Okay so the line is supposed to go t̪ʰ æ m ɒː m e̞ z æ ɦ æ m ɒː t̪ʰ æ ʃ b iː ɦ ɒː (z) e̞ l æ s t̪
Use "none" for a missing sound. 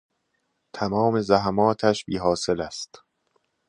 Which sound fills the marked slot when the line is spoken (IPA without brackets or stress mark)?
s